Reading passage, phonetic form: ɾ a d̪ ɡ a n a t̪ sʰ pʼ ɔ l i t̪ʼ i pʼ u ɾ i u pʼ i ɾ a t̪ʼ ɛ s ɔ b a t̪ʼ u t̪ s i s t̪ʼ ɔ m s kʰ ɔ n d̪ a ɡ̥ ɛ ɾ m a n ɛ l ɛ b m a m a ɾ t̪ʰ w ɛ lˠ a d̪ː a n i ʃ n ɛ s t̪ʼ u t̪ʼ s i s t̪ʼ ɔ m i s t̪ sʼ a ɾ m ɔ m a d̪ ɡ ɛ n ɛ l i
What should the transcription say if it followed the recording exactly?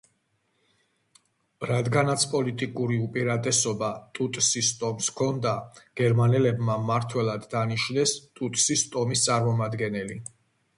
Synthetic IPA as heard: ɾ a d̪ ɡ a n a t̪ sʰ pʼ ɔ l i t̪ʼ i kʼ u ɾ i u pʼ i ɾ a t̪ʼ ɛ s ɔ b a t̪ʼ u t̪ʼ s i s t̪ʼ ɔ m s kʰ ɔ n d̪ a ɡ̥ ɛ ɾ m a n ɛ l ɛ b m a m a ɾ t̪ʰ w ɛ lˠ a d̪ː a n i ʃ n ɛ s t̪ʼ u t̪ʼ s i s t̪ʼ ɔ m i s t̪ sʼ a ɾ m ɔ m a d̪ ɡ ɛ n ɛ l i